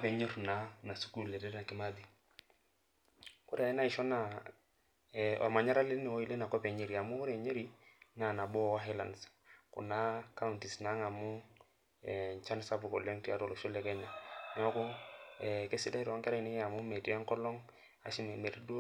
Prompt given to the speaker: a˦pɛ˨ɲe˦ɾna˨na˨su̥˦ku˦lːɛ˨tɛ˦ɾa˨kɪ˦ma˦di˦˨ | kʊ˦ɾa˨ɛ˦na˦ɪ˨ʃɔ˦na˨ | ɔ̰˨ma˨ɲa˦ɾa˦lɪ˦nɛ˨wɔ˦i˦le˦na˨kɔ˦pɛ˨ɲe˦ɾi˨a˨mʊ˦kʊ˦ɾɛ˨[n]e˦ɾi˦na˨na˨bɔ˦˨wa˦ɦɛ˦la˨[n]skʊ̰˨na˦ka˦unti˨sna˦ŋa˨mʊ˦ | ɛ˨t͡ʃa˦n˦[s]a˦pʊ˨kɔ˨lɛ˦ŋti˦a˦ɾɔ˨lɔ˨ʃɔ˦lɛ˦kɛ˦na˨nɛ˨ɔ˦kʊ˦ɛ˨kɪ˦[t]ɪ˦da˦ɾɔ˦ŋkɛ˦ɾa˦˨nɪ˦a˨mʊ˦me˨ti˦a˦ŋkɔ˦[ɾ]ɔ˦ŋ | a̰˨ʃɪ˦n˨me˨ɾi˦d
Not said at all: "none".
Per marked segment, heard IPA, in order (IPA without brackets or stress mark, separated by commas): ɲ, n, s, s, l